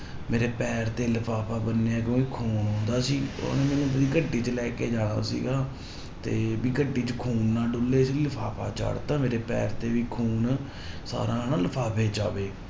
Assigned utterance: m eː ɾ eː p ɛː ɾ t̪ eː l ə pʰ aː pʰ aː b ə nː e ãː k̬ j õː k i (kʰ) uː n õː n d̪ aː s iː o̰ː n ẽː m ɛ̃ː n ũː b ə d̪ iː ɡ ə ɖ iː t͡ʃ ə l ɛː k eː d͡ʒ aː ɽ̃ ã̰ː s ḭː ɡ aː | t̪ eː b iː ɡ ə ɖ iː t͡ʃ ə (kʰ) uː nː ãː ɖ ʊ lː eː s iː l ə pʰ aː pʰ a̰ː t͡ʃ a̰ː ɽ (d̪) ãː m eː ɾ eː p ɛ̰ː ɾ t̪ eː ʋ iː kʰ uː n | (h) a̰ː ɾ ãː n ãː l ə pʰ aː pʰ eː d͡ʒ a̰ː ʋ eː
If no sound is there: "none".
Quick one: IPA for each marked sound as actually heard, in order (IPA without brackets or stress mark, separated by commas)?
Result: kʰ, kʰ, t̪, s